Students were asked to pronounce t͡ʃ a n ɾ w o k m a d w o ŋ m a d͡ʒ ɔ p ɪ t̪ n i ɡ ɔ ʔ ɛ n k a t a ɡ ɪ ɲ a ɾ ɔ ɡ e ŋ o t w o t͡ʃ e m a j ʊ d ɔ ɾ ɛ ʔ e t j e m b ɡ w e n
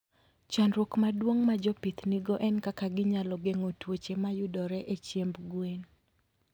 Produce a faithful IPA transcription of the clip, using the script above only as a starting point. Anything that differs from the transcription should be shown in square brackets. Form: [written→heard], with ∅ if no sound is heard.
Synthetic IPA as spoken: t͡ʃ a n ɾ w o k m a d w o ŋ m a d͡ʒ ɔ p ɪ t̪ n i ɡ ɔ ʔ ɛ n k a [t→k] a ɡ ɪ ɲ a [ɾ→l] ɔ ɡ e ŋ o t w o t͡ʃ e m a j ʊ d ɔ ɾ ɛ ʔ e [t→t͡ʃ] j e m b ɡ w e n